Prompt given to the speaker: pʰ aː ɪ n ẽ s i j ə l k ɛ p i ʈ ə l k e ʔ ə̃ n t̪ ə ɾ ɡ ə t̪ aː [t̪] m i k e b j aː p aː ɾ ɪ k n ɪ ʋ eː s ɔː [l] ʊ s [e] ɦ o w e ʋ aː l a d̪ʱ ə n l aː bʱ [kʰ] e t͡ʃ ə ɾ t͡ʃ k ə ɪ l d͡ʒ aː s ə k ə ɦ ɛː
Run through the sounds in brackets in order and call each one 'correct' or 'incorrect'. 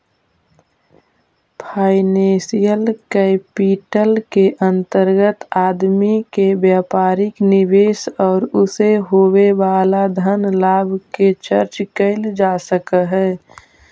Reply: incorrect: d̪, incorrect: ɾ, correct, incorrect: k

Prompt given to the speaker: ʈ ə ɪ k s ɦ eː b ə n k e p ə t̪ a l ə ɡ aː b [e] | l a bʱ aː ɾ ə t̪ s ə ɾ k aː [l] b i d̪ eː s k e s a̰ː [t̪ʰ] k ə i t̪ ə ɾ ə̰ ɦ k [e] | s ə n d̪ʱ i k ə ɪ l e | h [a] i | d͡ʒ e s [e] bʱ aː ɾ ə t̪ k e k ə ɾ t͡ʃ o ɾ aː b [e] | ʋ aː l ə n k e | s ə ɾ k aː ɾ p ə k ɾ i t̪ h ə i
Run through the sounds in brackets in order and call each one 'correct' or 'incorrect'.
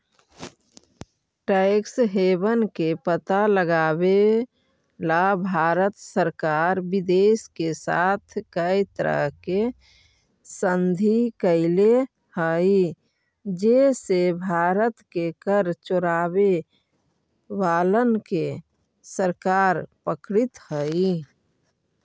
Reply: correct, incorrect: ɾ, correct, correct, incorrect: ə, correct, correct

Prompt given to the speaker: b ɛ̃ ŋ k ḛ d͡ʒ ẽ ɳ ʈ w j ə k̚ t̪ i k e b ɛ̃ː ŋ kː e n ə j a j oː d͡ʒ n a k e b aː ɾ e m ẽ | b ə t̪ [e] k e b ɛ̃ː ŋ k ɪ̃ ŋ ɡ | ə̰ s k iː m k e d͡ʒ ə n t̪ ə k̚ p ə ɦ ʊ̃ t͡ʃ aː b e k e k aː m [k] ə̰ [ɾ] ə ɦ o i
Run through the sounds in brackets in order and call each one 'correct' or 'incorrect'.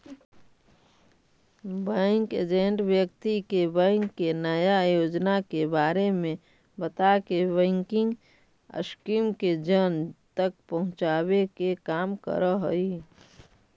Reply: incorrect: a, correct, correct

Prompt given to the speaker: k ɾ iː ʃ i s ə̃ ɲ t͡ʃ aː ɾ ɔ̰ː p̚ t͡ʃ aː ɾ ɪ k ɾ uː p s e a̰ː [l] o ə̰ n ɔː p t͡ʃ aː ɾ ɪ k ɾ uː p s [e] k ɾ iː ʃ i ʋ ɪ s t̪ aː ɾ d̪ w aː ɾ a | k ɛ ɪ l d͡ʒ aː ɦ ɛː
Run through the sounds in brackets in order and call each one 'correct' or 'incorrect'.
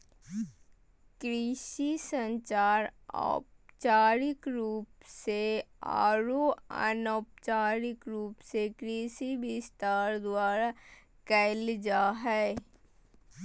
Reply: incorrect: ɾ, correct

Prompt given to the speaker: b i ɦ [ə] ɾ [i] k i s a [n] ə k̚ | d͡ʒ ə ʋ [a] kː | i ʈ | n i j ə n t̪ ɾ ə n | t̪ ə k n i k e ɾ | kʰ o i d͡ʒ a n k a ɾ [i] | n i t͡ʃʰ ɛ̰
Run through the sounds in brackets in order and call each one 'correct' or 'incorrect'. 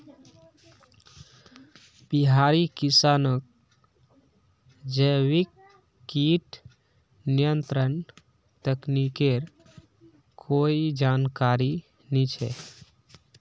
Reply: incorrect: a, correct, correct, incorrect: i, correct

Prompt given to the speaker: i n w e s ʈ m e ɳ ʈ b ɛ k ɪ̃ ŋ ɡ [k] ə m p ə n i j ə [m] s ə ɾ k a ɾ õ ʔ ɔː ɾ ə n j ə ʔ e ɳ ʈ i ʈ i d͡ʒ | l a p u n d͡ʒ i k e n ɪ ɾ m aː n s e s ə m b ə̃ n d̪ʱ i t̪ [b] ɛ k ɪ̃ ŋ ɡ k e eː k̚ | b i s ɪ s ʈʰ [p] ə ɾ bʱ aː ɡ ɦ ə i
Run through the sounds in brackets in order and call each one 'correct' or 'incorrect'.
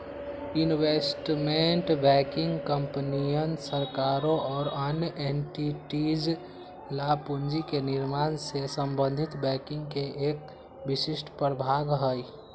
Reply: correct, incorrect: n, correct, correct

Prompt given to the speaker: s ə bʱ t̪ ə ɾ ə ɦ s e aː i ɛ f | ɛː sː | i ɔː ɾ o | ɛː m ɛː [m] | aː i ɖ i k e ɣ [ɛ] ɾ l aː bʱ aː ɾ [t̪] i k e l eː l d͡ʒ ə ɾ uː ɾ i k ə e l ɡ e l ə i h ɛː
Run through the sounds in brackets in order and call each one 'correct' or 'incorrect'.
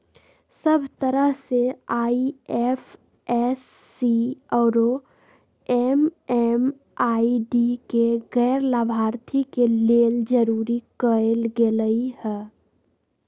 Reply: correct, incorrect: ɛː, incorrect: t̪ʰ

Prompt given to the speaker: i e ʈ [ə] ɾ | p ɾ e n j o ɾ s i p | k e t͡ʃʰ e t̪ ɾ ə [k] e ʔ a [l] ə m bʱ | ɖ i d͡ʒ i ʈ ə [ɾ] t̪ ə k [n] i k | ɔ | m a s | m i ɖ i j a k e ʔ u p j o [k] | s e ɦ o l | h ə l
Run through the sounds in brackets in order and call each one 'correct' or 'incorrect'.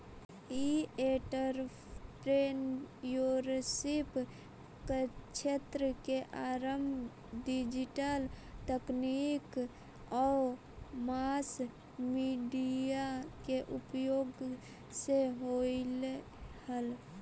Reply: correct, correct, incorrect: ɾ, incorrect: l, correct, incorrect: ɡ

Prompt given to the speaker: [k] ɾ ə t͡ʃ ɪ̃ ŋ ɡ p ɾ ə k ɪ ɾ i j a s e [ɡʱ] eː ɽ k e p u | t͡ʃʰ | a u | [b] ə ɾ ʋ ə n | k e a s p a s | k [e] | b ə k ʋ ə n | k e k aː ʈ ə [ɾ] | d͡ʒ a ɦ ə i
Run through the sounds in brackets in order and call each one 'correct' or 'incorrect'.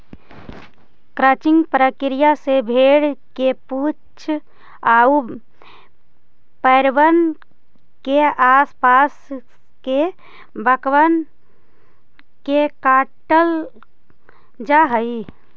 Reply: correct, incorrect: bʱ, incorrect: p, correct, incorrect: l

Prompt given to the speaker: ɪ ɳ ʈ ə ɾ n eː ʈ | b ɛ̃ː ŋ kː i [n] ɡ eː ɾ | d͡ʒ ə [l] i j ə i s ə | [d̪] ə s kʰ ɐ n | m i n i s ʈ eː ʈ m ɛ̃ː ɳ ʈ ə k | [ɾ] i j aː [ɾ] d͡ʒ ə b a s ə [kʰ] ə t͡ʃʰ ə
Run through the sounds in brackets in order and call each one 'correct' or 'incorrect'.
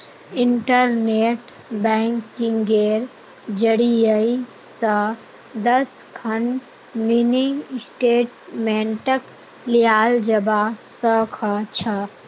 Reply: incorrect: ŋ, incorrect: ɽ, correct, incorrect: l, incorrect: l, correct

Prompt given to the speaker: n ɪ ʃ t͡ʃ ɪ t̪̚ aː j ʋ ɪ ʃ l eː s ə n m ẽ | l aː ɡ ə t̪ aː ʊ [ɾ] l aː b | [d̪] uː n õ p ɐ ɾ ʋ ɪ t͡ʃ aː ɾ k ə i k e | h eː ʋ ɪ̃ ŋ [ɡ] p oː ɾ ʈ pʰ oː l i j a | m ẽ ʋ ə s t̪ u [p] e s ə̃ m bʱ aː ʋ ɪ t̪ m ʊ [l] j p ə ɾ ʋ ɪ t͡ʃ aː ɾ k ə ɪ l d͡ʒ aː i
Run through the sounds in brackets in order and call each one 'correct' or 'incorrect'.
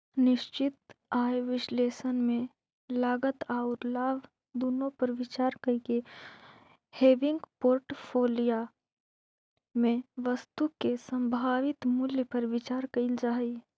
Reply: correct, correct, correct, incorrect: k, correct

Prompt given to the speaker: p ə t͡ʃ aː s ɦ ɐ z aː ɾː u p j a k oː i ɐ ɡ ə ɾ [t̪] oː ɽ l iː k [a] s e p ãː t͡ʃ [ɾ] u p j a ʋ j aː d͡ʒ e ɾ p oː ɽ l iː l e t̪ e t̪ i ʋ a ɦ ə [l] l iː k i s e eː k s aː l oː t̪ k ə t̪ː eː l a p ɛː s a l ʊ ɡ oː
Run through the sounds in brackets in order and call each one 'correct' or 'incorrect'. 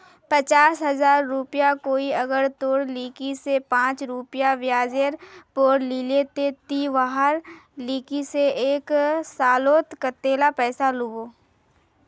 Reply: correct, incorrect: i, correct, incorrect: ɾ

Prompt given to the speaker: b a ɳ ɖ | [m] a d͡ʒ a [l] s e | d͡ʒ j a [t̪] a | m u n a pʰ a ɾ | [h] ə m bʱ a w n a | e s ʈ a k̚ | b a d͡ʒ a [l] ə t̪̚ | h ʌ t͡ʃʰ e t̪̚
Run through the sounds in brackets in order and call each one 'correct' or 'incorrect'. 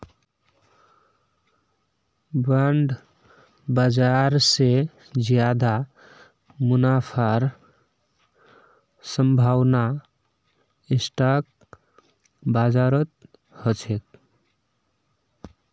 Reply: incorrect: b, incorrect: ɾ, incorrect: d̪, incorrect: s, incorrect: ɾ

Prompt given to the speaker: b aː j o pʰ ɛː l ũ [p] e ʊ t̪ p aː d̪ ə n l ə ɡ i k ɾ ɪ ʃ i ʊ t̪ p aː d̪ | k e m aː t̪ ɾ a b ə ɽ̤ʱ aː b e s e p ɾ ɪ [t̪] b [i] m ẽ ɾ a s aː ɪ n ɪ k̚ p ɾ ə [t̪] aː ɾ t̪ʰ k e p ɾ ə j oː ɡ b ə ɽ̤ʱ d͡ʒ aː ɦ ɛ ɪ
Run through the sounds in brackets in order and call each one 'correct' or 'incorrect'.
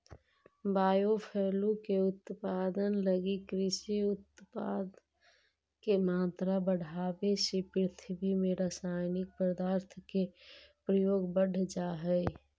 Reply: incorrect: k, incorrect: t̪ʰ, correct, incorrect: d̪

